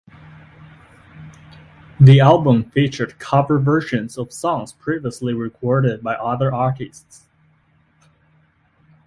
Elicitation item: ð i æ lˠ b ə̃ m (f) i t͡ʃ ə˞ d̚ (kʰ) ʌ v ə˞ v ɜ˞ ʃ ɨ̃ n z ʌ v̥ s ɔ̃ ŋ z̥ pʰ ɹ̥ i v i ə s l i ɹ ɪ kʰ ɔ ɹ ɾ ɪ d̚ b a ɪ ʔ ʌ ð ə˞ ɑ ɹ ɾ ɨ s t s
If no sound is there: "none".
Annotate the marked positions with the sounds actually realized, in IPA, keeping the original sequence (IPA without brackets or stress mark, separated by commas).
f, kʰ